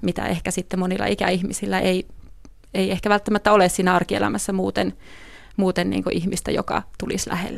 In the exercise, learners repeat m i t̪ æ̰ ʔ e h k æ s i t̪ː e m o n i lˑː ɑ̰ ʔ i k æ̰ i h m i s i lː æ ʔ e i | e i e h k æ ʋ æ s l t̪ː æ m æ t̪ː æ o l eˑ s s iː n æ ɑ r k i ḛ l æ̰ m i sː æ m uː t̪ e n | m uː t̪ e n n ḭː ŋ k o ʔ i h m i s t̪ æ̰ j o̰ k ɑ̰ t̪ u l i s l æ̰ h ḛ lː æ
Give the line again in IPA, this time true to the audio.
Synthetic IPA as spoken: m i t̪ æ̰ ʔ e h k æ s i t̪ː e m o n i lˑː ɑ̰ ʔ i k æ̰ i h m i s i lː æ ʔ e i | e i e h k æ ʋ æ l t̪ː æ m æ t̪ː æ o l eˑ s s iː n æ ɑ r k i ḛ l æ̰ m æ sː æ m uː t̪ e n | m uː t̪ e n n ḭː ŋ k o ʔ i h m i s t̪ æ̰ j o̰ k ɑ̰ t̪ u l i s l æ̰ h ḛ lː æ